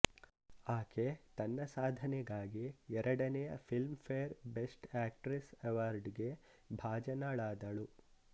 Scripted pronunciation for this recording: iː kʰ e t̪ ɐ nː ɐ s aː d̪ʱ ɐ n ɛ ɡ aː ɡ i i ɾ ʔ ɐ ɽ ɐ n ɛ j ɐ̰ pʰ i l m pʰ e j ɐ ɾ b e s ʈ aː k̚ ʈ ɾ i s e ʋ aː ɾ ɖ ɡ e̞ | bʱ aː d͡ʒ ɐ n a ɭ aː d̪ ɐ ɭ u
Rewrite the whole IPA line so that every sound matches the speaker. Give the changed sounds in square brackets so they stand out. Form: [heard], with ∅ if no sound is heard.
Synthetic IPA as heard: [aː] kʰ e t̪ ɐ nː ɐ s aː d̪ʱ ɐ n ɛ ɡ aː ɡ i [ɛ] ɾ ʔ ɐ ɽ ɐ n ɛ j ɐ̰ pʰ i l m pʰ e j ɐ ɾ b e s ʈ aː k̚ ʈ ɾ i s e ʋ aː ɾ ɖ ɡ e̞ | bʱ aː d͡ʒ ɐ n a ɭ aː d̪ ɐ ɭ u